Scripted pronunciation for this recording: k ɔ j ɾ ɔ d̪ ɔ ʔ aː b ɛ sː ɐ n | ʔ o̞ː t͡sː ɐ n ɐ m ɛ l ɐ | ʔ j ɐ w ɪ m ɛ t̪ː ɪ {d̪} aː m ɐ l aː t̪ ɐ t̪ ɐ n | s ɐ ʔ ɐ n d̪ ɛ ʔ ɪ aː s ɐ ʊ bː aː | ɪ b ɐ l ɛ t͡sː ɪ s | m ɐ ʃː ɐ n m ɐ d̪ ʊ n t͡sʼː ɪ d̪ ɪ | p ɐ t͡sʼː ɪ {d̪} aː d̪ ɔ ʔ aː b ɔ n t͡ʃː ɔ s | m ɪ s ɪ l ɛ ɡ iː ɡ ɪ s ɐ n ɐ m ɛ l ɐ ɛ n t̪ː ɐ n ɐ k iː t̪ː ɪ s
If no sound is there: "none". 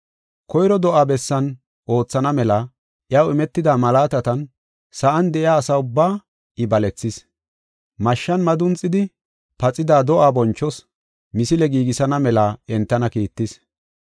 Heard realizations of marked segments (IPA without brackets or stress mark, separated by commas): d̪, d̪